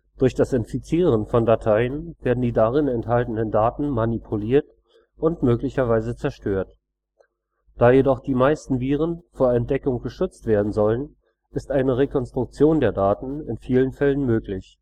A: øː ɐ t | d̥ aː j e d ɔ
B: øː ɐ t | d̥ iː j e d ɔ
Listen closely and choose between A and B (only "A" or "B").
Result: A